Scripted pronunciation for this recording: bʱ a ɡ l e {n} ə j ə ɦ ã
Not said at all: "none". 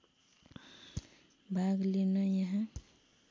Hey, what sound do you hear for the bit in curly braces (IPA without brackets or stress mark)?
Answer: n